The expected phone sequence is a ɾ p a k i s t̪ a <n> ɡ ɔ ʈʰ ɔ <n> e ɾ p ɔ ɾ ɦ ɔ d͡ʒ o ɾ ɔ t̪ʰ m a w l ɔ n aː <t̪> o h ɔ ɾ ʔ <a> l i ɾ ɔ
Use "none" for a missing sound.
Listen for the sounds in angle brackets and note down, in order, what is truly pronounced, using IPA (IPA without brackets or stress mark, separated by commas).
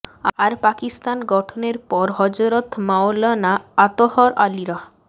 n, n, t̪, a